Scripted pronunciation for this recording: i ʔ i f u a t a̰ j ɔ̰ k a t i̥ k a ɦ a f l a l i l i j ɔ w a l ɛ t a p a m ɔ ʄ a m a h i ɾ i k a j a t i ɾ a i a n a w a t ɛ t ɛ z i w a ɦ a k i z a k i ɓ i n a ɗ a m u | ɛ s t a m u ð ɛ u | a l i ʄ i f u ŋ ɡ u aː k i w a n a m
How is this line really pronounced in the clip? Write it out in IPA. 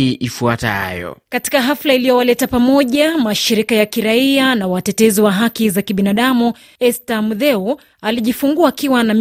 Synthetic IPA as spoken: i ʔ i f u a t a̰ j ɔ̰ k a t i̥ k a ɦ a f l a i l i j ɔ w a l ɛ t a p a m ɔ ʄ a m a ʃ i ɾ i k a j a k i ɾ a i a n a w a t ɛ t ɛ z i w a ɦ a k i z a k i ɓ i n a ɗ a m u | ɛ s t a m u ð ɛ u | a l i ʄ i f u ŋ ɡ u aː k i w a n a m